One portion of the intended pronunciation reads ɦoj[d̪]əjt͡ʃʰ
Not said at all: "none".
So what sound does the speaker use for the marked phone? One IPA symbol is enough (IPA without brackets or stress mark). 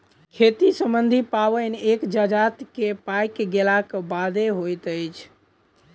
t̪